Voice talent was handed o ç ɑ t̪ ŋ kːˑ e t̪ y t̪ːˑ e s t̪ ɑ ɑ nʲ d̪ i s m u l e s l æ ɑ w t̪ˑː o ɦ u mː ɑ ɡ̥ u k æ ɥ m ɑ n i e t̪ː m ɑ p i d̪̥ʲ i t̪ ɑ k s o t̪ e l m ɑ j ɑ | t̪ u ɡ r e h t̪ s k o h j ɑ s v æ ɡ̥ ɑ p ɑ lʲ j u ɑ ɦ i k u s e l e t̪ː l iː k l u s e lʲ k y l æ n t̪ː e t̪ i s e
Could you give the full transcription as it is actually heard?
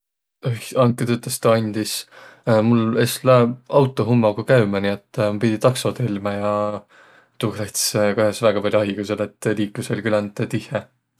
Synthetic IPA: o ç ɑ ŋ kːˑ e t̪ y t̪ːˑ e s t̪ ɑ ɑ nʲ d̪ i s m u l e s l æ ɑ w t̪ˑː o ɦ u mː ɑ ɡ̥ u k æ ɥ m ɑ n i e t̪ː m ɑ p i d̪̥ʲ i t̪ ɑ k s o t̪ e l m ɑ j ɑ | t̪ u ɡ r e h t̪ s k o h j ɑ s v æ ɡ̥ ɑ p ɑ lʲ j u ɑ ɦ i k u s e l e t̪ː l iː k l u s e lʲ k y l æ n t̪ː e t̪ i h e